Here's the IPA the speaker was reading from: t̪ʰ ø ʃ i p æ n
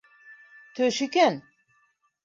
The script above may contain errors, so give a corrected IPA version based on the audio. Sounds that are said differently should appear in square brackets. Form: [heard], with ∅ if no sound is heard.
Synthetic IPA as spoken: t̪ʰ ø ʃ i [k] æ n